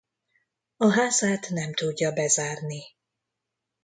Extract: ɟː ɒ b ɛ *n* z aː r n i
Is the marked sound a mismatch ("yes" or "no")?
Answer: yes